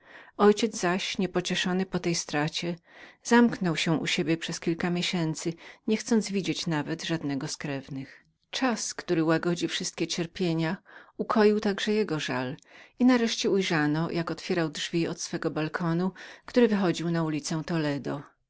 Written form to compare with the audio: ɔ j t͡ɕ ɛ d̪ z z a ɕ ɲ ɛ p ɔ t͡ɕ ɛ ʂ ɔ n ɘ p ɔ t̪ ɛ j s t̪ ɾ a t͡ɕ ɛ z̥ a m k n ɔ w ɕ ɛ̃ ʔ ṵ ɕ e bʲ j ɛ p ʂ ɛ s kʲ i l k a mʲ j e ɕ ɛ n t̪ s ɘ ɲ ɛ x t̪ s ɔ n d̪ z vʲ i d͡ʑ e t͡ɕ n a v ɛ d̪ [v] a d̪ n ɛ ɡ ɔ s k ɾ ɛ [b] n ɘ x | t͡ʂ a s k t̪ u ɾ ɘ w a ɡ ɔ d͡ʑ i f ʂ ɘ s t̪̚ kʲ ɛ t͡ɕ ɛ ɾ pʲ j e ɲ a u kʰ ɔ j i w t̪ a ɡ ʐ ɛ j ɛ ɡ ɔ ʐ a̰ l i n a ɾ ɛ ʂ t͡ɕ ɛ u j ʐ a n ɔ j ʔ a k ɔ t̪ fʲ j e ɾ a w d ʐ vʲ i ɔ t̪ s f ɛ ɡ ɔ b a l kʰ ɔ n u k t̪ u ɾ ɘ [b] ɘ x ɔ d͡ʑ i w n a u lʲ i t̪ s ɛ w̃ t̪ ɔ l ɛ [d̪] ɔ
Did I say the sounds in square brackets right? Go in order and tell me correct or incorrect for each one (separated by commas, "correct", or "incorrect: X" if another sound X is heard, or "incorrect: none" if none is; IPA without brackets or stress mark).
incorrect: ʐ, incorrect: v, incorrect: v, correct